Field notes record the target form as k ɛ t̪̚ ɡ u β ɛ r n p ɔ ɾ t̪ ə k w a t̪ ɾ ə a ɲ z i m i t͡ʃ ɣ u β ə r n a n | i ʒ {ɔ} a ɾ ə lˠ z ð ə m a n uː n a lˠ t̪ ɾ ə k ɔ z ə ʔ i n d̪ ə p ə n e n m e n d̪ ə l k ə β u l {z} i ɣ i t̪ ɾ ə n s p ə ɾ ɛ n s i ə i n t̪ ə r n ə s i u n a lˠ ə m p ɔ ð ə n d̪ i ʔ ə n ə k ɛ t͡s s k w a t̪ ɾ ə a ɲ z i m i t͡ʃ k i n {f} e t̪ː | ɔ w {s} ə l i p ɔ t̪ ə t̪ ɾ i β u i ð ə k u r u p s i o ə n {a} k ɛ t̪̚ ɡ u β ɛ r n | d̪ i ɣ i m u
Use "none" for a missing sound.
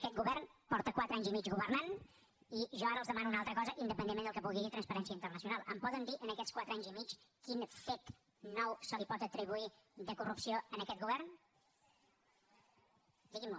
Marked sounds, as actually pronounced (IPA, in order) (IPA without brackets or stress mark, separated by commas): ɔ, ɣ, f, s, ə